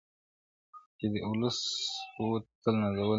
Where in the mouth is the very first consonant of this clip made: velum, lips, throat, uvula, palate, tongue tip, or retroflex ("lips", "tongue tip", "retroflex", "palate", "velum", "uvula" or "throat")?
velum